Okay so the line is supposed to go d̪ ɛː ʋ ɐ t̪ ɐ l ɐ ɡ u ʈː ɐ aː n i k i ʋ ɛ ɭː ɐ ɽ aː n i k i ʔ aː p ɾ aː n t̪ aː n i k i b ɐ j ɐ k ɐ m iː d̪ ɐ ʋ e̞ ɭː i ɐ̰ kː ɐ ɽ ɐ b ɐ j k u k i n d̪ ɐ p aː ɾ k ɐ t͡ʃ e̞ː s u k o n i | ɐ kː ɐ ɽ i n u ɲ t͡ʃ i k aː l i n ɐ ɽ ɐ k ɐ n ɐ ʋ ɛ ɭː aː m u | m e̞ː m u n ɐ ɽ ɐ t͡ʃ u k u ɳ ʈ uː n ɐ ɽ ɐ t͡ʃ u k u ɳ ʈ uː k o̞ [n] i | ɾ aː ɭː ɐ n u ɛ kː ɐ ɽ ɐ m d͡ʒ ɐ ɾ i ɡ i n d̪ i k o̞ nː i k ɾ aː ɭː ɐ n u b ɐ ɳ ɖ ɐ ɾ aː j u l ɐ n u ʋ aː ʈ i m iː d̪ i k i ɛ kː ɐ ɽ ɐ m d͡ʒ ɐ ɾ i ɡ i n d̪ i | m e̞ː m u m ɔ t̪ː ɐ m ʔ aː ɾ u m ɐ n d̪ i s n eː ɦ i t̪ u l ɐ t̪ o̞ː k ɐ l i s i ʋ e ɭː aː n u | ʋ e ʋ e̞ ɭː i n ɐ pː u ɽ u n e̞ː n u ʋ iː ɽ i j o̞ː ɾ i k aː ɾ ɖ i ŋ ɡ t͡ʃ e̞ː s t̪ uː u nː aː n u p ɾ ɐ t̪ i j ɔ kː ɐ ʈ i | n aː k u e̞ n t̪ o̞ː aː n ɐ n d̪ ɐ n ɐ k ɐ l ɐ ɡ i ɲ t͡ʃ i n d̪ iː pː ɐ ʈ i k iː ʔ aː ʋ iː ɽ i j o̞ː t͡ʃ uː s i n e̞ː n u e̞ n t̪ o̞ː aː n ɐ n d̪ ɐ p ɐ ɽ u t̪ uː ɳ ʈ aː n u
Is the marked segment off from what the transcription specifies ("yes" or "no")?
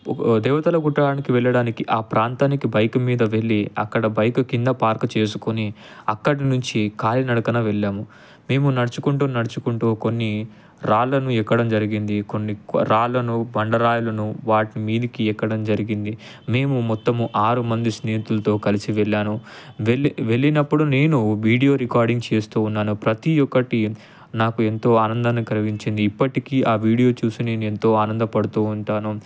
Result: yes